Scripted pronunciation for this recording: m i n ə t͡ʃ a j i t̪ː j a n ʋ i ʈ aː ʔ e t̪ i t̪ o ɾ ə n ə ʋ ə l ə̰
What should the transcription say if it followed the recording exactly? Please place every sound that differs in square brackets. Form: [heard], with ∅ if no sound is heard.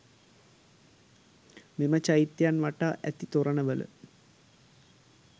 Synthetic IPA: m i [m] ə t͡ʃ a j i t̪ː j a n ʋ [a] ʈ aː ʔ [æ] t̪ i t̪ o ɾ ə n ə ʋ ə l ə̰